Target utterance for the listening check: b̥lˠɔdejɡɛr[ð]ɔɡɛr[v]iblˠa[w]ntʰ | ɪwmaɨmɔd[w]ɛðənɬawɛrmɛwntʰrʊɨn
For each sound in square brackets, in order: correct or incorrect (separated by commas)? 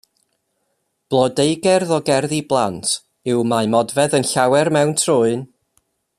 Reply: correct, incorrect, incorrect, incorrect